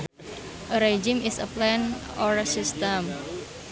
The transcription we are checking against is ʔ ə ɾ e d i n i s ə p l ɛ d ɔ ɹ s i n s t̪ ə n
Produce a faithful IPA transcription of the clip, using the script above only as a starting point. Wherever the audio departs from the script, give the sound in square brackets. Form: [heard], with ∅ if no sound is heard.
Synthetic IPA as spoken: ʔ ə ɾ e [d͡ʒ] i [m] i s ə p l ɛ [n] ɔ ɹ s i [∅] s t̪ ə [m]